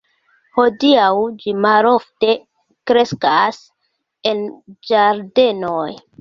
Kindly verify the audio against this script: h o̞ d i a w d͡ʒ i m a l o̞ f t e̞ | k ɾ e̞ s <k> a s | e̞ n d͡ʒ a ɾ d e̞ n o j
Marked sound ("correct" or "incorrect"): correct